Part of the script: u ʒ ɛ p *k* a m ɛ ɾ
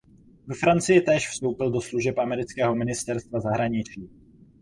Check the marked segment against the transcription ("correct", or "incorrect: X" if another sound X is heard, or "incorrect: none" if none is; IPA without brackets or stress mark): incorrect: ʔ